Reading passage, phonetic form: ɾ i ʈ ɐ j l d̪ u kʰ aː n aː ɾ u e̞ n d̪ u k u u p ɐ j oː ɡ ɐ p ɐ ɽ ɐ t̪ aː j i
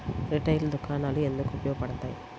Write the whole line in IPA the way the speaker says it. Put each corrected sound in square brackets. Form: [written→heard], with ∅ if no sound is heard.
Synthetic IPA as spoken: ɾ i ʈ ɐ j l d̪ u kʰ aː n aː [ɾ→l] u e̞ n d̪ u k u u p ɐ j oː ɡ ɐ p ɐ ɽ ɐ t̪ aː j i